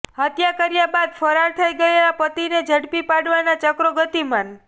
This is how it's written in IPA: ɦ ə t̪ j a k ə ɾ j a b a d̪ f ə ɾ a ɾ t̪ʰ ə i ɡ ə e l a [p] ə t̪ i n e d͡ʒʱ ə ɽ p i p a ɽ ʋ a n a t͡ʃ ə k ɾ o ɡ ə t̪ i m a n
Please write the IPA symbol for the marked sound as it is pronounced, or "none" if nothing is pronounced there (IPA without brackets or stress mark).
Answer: p